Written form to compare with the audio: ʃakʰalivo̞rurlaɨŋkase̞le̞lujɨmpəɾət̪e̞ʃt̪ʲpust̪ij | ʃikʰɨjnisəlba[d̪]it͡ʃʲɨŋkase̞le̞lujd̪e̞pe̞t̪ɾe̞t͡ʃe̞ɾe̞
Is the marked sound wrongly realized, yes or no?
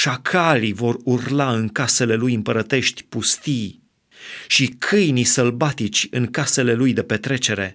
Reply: yes